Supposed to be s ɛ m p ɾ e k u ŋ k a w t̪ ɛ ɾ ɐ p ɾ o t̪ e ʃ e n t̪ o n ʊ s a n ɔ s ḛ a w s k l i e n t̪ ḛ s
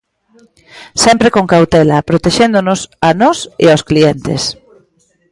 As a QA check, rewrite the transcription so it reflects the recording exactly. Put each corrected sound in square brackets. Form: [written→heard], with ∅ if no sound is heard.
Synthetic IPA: s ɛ m p ɾ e k [u→o] ŋ k a w t̪ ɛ [ɾ→l] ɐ p ɾ o t̪ e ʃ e n [t̪→d̪] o n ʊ s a n ɔ s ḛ a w s k l i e n t̪ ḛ s